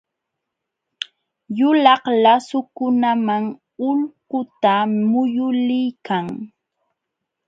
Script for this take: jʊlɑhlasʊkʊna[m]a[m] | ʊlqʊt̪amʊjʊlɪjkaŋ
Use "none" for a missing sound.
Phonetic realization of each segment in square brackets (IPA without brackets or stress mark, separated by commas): m, ŋ